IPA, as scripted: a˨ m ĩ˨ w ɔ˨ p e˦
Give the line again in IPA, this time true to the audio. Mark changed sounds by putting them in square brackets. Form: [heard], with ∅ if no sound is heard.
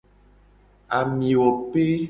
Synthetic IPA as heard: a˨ m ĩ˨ w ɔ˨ p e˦